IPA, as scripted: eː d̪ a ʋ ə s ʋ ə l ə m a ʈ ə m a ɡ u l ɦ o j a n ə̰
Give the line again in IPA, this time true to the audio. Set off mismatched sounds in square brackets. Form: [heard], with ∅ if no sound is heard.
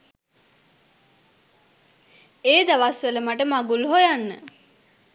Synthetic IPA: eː d̪ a ʋ [a] s ʋ ə l ə m a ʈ ə m a ɡ u l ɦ o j a [nː] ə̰